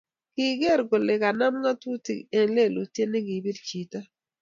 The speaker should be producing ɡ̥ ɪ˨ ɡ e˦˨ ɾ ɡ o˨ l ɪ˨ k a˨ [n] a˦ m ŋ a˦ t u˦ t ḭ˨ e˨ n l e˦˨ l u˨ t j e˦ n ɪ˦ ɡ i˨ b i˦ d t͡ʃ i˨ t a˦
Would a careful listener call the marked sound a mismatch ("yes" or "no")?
no